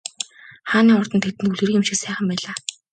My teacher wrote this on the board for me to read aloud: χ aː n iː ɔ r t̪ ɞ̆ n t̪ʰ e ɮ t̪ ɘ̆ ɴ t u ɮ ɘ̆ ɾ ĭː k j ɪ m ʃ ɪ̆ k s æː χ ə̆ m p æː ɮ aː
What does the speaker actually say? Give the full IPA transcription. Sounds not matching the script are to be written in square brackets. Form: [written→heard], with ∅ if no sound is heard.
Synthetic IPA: χ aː n iː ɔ r t̪ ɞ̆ n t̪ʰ e [ɮ→∅] t̪ ɘ̆ [ɴ→n] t u ɮ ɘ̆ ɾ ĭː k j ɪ m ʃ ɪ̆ k s æː χ ə̆ m p æː ɮ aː